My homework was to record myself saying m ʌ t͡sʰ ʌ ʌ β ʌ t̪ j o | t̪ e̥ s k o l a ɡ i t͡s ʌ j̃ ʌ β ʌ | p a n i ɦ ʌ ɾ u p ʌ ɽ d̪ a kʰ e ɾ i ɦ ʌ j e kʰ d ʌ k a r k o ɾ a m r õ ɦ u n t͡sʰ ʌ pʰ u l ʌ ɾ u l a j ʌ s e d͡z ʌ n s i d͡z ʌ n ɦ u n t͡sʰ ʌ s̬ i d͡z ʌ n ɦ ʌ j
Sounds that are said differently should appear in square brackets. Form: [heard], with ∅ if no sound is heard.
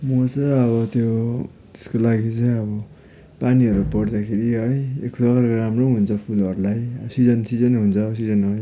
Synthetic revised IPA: m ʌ [t͡s] ʌ ʌ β ʌ t̪ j o | t̪ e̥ s k o l a ɡ i t͡s ʌ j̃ ʌ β ʌ | p a n i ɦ ʌ ɾ u p ʌ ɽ d̪ a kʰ e ɾ i ɦ ʌ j e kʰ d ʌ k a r k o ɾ a m r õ ɦ u n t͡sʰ ʌ pʰ u l ʌ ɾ u l a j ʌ s [i] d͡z ʌ n s i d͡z ʌ n ɦ u n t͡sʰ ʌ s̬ i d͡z ʌ n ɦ ʌ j